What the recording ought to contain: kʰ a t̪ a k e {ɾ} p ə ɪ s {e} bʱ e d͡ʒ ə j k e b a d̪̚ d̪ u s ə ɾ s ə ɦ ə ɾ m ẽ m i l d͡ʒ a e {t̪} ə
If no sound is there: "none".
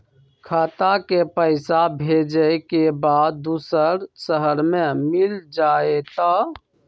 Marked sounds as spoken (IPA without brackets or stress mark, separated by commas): none, a, t̪